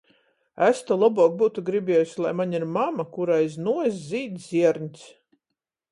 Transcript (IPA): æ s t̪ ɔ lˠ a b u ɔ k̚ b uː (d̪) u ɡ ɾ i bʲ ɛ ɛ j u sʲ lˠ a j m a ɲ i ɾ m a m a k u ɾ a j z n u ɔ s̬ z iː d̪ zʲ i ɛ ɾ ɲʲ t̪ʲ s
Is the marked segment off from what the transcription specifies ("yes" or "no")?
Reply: yes